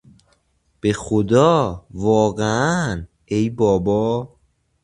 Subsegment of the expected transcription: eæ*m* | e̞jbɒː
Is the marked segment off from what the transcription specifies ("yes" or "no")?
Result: yes